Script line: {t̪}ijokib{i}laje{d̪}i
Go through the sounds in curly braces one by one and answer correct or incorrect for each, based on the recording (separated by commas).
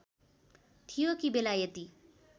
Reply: incorrect, incorrect, incorrect